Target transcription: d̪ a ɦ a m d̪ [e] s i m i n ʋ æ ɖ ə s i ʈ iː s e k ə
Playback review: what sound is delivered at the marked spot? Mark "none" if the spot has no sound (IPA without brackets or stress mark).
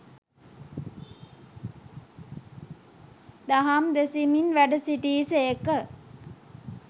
e